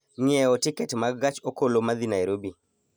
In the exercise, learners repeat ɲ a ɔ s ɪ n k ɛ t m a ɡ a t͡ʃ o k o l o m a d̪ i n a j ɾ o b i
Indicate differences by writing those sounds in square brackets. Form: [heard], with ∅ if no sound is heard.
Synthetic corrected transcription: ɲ [ɛ] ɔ [t] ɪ [∅] k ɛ t m a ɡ a t͡ʃ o k o l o m a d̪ i n a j ɾ o b i